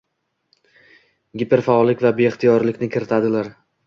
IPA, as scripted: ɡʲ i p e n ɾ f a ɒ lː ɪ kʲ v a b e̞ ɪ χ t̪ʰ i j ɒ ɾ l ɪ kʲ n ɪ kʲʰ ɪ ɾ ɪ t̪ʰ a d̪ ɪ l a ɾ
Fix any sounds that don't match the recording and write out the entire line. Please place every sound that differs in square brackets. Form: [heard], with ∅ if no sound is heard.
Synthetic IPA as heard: ɡʲ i p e [∅] ɾ f a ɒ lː ɪ kʲ v a b e̞ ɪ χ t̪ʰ i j ɒ ɾ l ɪ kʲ n ɪ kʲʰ ɪ ɾ ɪ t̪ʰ a d̪ ɪ l a ɾ